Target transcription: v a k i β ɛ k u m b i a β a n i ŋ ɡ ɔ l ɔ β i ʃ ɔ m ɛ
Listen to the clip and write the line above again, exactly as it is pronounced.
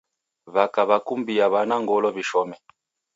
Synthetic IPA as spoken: β a k a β a k u m b i a β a n a ŋ ɡ ɔ l ɔ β i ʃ ɔ m ɛ